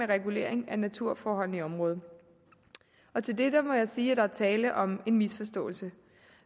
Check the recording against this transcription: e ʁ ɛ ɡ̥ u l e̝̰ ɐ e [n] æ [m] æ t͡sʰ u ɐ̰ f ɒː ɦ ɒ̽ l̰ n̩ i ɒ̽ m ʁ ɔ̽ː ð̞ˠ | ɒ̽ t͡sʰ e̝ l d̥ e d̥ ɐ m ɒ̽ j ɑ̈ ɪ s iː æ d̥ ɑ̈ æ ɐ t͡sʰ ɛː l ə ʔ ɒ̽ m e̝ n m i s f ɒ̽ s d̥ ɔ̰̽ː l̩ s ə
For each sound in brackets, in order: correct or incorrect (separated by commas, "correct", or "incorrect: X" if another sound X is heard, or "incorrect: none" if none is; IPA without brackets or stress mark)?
incorrect: ŋ, incorrect: n